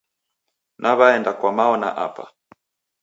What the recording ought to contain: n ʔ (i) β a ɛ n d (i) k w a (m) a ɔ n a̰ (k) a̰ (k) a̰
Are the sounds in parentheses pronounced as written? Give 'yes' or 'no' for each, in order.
no, no, yes, no, no

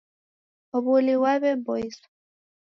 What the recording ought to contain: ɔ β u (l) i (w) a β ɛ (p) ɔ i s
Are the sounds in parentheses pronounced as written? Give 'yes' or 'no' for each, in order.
yes, yes, no

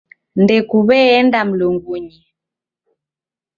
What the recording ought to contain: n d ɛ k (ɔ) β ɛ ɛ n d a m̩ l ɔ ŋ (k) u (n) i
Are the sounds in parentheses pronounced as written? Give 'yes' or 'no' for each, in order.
no, no, no

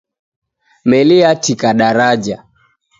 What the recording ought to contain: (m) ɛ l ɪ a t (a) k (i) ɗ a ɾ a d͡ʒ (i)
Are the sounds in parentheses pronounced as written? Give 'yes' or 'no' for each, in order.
yes, no, no, no

